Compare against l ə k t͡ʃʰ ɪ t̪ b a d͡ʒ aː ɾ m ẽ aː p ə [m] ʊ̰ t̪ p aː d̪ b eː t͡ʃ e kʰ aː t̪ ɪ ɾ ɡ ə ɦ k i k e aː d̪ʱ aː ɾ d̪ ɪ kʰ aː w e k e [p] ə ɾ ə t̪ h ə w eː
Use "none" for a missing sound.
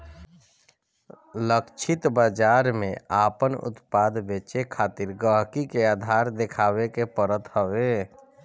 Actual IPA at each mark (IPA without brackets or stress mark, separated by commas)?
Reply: n, p